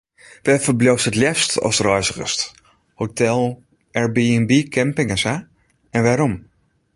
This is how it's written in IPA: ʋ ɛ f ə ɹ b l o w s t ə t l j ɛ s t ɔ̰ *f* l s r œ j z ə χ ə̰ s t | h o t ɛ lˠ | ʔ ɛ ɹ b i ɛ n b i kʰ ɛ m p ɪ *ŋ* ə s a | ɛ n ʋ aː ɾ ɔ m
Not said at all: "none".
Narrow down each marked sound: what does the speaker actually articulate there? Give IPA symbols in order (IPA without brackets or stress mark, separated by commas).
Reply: none, ŋ